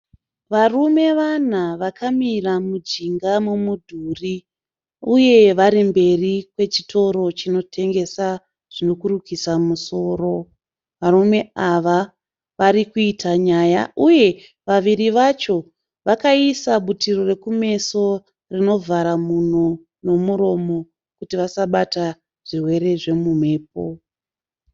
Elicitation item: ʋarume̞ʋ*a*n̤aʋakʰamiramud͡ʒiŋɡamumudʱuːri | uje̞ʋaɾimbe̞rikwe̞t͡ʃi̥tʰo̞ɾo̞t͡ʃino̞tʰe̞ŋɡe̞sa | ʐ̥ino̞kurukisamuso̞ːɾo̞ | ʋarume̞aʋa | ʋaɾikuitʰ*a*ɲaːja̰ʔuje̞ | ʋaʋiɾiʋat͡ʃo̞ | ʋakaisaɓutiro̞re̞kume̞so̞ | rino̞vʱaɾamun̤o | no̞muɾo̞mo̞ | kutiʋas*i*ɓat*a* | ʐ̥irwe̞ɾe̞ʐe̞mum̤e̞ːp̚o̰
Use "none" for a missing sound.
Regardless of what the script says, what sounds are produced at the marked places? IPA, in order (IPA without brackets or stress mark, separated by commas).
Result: a, a, a, a